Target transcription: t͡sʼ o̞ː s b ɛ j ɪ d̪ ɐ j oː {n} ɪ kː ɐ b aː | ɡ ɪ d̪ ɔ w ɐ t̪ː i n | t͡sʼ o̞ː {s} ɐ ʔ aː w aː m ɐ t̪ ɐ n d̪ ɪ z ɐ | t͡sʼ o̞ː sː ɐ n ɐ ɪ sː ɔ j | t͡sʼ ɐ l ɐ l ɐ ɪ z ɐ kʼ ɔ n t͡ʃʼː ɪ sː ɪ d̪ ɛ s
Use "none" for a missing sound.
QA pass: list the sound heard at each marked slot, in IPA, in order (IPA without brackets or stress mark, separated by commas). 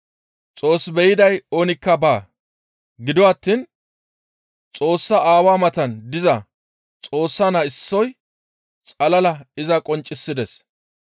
n, sː